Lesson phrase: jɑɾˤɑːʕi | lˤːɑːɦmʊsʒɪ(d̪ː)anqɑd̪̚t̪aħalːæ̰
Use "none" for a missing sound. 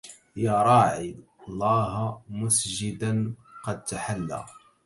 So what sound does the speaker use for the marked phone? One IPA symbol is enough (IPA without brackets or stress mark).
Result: d̪